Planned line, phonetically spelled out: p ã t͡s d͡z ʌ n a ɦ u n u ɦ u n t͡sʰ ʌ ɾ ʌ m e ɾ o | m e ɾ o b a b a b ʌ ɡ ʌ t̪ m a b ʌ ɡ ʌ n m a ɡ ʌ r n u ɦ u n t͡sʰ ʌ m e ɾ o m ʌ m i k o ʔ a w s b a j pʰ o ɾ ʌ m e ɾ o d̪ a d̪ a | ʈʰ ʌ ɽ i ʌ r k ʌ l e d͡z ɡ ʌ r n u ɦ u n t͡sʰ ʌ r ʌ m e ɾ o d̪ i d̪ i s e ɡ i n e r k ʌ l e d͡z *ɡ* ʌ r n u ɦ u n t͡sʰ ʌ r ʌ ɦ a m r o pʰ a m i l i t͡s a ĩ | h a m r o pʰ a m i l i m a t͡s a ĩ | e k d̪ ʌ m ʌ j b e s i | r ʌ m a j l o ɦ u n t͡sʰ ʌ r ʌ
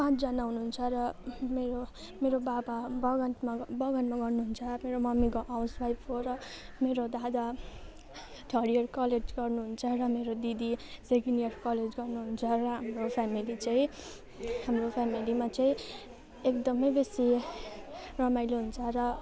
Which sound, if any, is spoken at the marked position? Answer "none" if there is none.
ɡ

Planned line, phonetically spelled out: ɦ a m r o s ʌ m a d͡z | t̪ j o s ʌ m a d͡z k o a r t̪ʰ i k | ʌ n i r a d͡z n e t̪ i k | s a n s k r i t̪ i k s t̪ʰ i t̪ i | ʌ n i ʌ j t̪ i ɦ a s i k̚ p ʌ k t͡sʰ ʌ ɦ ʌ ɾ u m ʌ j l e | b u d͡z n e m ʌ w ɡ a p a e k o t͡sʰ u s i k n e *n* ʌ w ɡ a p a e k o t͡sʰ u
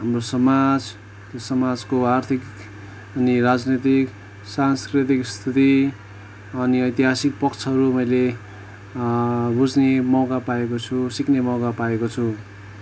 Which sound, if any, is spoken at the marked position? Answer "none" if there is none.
m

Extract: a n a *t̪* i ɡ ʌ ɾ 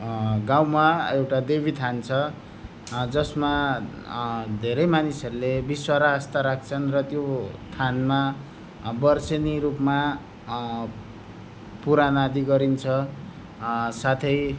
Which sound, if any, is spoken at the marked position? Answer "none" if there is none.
d̪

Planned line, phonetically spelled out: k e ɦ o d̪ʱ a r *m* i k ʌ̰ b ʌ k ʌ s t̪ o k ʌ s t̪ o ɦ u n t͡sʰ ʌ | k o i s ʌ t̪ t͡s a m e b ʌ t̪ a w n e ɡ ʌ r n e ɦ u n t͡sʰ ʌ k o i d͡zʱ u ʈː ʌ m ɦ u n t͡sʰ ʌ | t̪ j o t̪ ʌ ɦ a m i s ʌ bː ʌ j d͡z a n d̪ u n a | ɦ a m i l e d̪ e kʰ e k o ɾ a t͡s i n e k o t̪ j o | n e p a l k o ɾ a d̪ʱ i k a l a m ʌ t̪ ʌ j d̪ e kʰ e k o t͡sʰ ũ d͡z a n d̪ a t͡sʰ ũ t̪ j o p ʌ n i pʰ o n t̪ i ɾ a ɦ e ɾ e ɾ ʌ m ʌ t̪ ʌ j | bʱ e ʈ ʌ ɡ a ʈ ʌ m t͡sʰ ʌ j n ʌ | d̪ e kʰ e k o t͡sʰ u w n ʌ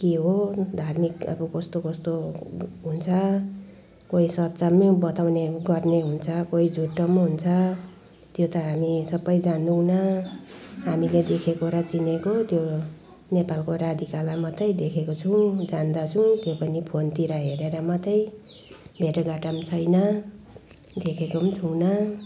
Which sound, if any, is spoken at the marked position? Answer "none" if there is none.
m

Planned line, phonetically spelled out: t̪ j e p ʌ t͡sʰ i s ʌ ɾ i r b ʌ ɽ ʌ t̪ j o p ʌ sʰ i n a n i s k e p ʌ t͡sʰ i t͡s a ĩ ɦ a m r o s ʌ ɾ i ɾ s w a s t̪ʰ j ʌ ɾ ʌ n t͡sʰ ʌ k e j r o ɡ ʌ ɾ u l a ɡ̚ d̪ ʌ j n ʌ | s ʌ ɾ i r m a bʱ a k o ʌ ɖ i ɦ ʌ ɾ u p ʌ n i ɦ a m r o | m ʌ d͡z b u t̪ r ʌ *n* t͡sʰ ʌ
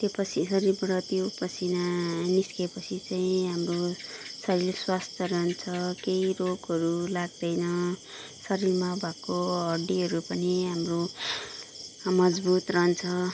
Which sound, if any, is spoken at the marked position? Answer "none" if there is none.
n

